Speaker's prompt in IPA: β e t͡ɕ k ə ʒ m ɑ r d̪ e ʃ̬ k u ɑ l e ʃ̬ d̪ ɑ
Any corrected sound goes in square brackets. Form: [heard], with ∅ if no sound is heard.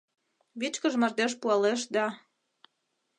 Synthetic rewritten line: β [i] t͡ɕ k ə ʒ m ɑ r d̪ e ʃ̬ [p] u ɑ l e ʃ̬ d̪ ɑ